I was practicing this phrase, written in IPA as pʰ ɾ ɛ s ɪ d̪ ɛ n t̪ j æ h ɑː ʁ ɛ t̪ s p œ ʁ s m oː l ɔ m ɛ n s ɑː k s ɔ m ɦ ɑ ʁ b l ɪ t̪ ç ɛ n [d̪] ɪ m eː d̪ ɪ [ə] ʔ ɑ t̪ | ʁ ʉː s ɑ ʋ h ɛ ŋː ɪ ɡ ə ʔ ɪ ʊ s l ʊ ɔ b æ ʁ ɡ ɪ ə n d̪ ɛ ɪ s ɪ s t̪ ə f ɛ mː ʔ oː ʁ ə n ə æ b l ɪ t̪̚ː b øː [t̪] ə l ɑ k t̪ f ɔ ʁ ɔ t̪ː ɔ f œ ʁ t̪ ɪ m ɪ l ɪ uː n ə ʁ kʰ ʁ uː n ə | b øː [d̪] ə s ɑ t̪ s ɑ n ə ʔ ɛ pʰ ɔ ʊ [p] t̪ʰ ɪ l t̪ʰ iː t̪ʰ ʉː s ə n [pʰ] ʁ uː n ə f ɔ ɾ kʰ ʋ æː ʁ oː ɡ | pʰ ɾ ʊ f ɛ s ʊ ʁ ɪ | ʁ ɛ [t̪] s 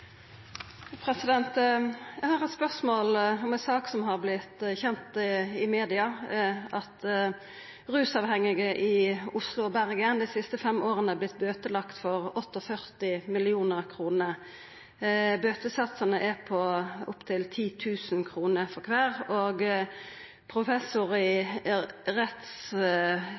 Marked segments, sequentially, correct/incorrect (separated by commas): incorrect, incorrect, correct, incorrect, correct, incorrect, correct